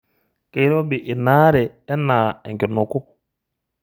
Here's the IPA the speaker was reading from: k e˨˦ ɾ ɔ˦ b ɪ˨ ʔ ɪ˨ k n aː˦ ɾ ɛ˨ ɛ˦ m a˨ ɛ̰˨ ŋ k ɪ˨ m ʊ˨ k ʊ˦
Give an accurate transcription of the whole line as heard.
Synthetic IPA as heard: k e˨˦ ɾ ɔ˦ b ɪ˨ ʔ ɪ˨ n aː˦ ɾ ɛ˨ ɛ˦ n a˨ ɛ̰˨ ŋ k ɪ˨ n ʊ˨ k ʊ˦